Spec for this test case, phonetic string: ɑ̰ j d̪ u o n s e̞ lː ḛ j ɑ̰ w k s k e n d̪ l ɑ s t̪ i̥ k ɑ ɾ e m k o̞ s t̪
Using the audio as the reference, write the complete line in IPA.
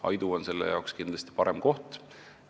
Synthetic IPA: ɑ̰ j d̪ u o n s e̞ lː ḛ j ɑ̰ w k s k i n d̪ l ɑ s t̪ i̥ p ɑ ɾ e m k o̞ h t̪